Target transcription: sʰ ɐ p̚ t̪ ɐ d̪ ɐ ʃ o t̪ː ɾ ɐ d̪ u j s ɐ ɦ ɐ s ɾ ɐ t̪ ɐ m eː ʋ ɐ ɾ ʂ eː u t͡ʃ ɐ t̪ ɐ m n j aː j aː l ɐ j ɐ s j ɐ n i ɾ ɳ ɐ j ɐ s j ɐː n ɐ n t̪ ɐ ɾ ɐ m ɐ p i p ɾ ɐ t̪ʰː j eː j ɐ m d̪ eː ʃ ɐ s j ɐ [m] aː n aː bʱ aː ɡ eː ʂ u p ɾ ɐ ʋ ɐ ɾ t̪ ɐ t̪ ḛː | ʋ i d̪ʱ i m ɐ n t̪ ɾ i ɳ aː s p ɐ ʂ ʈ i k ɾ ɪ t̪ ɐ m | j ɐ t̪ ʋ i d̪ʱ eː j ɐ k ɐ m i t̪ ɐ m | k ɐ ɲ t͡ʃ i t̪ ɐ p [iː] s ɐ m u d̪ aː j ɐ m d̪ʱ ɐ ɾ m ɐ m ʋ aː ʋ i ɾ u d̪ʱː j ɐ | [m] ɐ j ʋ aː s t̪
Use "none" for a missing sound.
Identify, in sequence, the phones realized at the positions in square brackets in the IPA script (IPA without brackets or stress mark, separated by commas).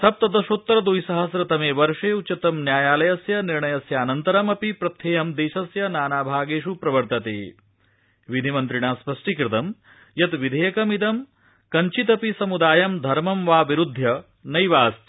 n, i, n